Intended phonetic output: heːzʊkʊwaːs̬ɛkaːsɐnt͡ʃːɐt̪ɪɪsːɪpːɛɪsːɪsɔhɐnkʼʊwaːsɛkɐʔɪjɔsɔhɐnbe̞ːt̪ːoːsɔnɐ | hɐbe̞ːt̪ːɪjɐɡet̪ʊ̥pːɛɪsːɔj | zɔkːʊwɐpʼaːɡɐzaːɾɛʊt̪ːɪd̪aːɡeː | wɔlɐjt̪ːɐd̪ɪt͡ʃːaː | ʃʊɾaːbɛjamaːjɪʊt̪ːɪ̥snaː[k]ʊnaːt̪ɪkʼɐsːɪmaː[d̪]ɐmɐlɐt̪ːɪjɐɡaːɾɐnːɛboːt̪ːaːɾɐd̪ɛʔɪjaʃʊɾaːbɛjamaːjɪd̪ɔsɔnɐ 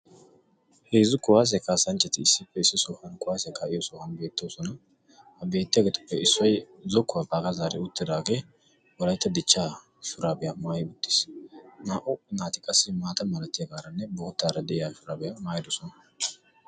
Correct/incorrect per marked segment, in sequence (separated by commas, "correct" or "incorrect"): incorrect, incorrect